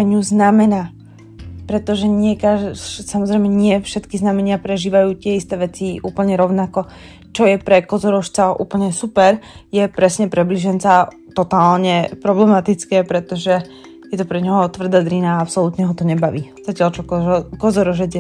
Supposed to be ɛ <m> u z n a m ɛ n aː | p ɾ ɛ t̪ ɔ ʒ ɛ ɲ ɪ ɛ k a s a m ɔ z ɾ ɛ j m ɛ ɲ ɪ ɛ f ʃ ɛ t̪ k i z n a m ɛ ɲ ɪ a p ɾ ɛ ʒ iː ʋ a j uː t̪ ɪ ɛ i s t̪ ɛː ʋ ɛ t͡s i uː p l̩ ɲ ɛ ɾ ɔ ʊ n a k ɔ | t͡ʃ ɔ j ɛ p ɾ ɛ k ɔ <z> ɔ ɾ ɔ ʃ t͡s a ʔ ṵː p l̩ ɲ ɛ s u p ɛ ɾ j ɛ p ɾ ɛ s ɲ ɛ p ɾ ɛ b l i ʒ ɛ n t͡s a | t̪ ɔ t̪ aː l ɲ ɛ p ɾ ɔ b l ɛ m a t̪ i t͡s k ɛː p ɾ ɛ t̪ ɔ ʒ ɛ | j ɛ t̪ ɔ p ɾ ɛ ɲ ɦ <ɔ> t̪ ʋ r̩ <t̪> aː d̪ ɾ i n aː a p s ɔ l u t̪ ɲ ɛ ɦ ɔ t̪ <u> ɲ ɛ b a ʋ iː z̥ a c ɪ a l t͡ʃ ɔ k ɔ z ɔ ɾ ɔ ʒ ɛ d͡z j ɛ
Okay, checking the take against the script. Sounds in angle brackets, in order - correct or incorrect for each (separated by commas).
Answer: incorrect, correct, correct, incorrect, incorrect